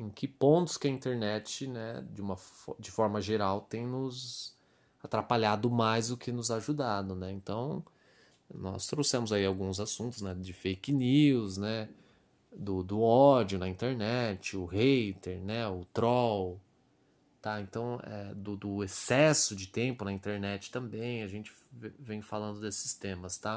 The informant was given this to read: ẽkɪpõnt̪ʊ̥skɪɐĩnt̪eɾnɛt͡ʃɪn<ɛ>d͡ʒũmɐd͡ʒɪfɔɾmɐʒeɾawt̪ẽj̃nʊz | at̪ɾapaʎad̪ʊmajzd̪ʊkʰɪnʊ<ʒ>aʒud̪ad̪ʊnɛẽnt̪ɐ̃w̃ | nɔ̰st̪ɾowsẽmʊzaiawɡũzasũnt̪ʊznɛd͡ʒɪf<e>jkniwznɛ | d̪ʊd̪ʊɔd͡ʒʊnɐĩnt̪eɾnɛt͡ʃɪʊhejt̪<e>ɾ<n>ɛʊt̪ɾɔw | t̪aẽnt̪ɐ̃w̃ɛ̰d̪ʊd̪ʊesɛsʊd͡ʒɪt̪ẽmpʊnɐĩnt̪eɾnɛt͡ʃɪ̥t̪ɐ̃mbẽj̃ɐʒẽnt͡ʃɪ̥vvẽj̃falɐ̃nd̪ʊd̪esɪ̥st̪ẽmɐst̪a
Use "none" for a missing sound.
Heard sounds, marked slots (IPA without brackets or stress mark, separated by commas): ɛ, z, e, e, n